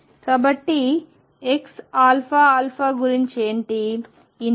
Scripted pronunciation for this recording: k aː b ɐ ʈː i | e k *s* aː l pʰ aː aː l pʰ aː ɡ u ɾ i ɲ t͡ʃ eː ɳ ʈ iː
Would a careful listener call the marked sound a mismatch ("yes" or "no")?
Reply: no